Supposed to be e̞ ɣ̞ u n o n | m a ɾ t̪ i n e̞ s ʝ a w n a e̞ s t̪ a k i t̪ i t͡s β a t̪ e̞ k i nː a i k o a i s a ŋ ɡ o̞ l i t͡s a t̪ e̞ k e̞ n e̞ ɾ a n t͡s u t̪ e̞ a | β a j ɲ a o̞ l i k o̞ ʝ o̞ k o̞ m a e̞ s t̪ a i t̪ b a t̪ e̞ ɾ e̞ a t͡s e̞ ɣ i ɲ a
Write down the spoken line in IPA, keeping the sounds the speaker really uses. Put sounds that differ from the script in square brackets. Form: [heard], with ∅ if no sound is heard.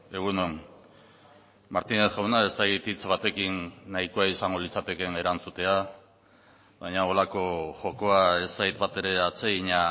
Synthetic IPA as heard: e̞ ɣ̞ u n o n | m a ɾ t̪ i n e̞ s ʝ a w n a e̞ s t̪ a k i t̪ i t͡s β a t̪ e̞ k i nː a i k o a i s a ŋ ɡ o̞ l i t͡s a t̪ e̞ k e̞ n e̞ ɾ a n t͡s u t̪ e̞ a | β a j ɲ a o̞ l [a] k o̞ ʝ o̞ k o̞ [∅] a e̞ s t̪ a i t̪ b a t̪ e̞ ɾ e̞ a t͡s e̞ ɣ i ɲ a